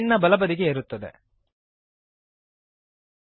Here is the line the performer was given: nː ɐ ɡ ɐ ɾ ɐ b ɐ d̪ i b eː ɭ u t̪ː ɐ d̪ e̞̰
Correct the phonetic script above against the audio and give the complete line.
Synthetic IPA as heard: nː ɐ b ɐ l ɐ b ɐ d̪ i ɡ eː ɾ u t̪ː ɐ d̪ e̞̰